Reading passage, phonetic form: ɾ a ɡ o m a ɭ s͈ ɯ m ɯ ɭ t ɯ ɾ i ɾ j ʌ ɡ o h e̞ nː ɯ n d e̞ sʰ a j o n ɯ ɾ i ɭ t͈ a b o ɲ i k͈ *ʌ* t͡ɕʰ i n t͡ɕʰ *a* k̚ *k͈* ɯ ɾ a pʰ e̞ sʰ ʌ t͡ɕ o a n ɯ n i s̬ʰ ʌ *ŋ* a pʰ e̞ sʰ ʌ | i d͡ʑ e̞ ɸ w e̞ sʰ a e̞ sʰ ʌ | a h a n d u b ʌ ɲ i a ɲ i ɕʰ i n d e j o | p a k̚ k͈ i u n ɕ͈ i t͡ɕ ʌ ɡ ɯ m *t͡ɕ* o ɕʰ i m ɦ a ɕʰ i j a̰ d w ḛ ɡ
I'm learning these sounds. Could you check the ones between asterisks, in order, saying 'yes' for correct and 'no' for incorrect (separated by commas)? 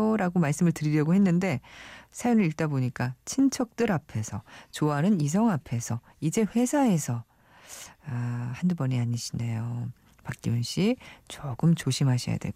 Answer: no, no, no, yes, yes